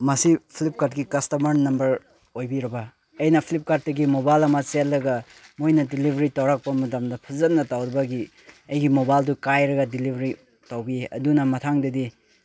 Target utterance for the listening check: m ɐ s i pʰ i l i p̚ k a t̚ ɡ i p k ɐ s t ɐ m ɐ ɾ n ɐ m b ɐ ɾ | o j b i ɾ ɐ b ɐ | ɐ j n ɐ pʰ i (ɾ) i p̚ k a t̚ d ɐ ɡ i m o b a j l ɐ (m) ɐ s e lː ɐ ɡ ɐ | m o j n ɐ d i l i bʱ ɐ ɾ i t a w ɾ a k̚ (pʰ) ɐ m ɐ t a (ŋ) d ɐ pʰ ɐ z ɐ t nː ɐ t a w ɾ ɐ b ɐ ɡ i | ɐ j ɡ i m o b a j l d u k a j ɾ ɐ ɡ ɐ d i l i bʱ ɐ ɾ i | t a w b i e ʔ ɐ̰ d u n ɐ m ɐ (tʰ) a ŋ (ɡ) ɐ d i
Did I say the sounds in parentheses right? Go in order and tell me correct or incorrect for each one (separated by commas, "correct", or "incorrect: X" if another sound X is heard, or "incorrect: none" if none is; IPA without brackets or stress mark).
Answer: incorrect: l, correct, incorrect: p, incorrect: m, correct, incorrect: d